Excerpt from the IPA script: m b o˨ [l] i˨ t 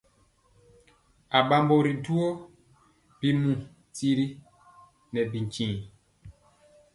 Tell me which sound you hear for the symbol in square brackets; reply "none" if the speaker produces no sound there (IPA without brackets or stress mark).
ɾ